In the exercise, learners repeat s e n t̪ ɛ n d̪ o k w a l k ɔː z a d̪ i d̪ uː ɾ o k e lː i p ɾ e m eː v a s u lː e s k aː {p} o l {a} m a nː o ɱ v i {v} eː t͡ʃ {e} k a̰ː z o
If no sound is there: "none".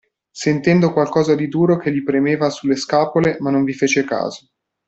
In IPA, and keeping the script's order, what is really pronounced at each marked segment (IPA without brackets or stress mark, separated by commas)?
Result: p, e, f, e